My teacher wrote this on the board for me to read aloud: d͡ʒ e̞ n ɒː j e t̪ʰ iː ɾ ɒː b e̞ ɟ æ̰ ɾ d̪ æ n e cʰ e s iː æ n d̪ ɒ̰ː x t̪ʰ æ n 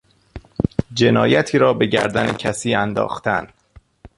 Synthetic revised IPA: d͡ʒ e̞ n ɒː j æ t̪ʰ iː ɾ ɒː b e̞ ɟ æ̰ ɾ d̪ æ n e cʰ æ s iː æ n d̪ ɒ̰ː x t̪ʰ æ n